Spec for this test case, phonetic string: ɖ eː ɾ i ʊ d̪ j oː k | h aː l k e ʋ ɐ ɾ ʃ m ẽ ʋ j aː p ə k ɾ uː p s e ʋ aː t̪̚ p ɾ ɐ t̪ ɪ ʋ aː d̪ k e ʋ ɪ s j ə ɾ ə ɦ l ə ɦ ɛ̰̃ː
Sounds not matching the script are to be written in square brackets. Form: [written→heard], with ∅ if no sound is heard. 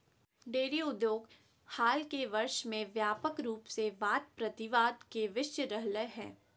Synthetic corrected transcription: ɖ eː ɾ i ʊ d̪ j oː [k→ɡ] | h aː l k e ʋ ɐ ɾ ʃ m ẽ ʋ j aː p ə k ɾ uː p s e ʋ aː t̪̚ p ɾ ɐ t̪ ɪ ʋ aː d̪ k e ʋ ɪ [s→ʃ] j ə ɾ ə ɦ l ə ɦ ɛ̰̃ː